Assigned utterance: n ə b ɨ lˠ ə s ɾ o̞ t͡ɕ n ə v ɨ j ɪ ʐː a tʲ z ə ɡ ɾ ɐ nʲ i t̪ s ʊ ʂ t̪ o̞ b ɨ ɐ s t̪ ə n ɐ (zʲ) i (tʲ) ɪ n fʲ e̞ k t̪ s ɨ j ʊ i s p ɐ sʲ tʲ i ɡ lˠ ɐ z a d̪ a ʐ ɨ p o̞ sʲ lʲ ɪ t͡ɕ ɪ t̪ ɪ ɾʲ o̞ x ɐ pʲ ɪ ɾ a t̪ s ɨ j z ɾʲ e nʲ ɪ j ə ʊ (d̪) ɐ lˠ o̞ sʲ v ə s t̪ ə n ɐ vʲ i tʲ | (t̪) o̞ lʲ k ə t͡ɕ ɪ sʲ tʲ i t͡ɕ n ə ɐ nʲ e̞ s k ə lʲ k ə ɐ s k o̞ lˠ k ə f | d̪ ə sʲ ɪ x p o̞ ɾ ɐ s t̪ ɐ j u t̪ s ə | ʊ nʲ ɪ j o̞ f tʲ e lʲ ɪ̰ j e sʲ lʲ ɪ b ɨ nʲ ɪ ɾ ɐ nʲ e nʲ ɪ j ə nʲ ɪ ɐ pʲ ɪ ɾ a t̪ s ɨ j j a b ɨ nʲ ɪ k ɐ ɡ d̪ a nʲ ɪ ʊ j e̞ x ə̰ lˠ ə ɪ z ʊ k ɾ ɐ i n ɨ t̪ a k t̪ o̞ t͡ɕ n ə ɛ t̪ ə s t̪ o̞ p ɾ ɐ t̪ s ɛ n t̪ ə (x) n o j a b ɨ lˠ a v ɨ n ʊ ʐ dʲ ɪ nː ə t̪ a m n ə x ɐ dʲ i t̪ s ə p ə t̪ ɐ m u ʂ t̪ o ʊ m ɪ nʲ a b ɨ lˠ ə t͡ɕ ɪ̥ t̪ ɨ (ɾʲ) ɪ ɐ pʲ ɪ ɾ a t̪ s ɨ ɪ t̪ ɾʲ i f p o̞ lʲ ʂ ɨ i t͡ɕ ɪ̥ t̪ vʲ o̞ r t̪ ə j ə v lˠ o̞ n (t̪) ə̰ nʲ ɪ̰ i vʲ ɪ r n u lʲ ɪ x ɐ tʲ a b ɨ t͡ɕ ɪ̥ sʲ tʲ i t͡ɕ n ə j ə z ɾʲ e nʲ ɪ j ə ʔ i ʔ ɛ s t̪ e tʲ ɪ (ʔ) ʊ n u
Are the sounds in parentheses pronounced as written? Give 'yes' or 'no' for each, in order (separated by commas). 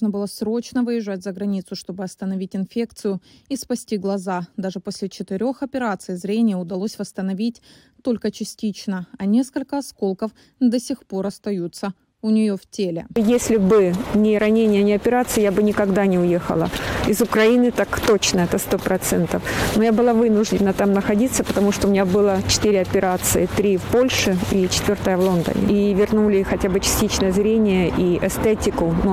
no, yes, yes, yes, no, yes, no, no